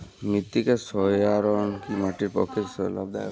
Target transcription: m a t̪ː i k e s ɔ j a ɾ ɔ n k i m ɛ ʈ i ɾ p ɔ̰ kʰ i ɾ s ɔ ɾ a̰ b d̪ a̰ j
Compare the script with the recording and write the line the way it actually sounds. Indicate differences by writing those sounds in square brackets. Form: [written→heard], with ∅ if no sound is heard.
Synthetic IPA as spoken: m [a→i] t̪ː i k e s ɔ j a ɾ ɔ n k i m [ɛ→a] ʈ i ɾ p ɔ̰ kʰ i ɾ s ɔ [ɾ→l] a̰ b d̪ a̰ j